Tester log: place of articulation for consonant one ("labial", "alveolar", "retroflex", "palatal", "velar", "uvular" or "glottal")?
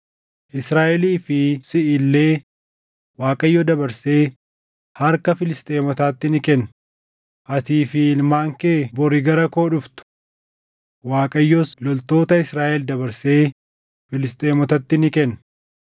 glottal